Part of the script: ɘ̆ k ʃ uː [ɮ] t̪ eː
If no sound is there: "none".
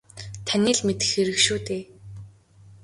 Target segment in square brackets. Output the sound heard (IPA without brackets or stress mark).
none